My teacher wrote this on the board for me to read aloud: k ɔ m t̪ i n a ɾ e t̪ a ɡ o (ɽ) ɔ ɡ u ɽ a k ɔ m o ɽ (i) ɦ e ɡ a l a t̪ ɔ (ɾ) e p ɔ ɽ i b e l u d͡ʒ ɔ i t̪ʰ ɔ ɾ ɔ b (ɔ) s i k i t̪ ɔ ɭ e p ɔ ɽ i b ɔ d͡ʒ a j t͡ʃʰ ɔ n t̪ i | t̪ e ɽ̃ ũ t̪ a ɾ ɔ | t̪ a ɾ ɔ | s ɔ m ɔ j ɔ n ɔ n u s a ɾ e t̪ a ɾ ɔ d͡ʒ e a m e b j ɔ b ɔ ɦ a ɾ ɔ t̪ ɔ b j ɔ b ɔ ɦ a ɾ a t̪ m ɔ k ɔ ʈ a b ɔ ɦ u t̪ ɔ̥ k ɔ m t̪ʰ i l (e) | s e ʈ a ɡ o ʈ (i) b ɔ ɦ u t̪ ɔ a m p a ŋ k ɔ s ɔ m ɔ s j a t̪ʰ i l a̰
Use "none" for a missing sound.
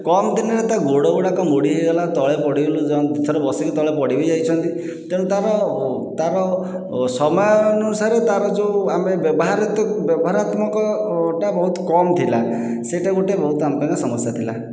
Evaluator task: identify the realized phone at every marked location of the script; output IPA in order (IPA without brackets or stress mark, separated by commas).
ɽ, i, ɭ, ɔ, a, e